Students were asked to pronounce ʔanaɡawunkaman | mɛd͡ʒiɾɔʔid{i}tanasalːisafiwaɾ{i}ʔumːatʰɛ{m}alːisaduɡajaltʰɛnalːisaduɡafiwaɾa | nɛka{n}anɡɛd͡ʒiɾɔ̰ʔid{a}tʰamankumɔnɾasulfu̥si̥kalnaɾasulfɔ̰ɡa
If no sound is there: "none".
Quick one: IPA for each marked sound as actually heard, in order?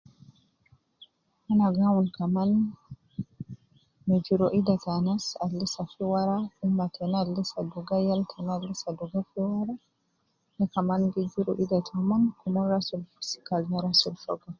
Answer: a, a, n, m, a

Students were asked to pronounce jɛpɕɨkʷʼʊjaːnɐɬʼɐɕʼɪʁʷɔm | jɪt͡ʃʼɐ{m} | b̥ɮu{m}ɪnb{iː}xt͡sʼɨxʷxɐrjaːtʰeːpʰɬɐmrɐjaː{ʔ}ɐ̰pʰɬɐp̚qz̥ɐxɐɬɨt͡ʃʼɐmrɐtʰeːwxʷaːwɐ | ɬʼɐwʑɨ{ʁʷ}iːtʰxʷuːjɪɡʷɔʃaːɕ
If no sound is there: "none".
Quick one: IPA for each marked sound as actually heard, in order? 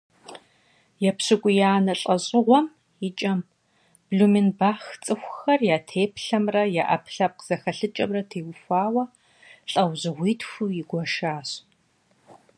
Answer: m, m, aː, ʔ, ʁʷ

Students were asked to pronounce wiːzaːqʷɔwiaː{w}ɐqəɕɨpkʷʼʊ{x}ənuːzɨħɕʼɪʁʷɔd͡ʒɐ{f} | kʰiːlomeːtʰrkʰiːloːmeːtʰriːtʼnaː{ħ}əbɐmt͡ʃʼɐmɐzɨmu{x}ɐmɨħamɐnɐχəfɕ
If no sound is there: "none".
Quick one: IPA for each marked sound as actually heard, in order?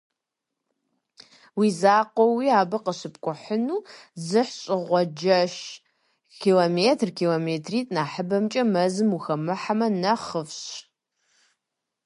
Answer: b, ħ, ʃ, ħ, x

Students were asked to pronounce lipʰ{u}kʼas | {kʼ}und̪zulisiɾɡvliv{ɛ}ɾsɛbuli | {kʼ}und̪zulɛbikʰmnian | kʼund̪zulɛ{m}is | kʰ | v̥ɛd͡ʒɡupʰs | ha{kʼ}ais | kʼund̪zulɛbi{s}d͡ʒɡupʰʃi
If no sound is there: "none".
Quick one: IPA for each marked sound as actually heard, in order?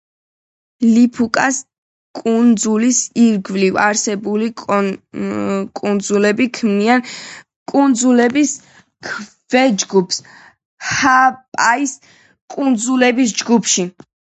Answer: u, kʼ, a, kʼ, b, pʼ, s

